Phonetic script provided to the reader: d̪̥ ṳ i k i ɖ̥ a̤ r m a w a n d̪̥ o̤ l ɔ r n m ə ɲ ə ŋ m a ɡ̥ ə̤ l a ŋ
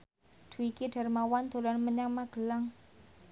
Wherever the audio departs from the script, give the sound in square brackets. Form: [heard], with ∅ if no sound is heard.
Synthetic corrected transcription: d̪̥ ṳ i k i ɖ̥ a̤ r m a w a n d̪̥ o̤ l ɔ [∅] n m ə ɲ [a] ŋ m a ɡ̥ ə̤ l a ŋ